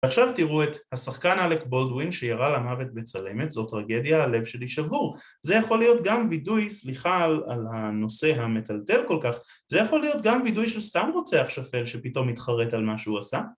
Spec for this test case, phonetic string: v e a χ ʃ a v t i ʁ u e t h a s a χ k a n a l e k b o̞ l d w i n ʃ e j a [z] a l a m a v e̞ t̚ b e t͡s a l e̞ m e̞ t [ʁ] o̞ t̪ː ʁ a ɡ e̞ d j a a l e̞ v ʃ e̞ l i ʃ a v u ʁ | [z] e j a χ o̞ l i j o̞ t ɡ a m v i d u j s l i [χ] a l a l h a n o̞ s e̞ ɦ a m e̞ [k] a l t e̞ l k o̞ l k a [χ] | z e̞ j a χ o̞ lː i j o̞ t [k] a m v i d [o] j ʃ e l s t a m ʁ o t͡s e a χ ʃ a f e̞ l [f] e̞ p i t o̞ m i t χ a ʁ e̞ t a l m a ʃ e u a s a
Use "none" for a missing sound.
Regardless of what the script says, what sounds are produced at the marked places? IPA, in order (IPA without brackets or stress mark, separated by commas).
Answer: ʁ, z, z, χ, t, χ, ɡ, u, ʃ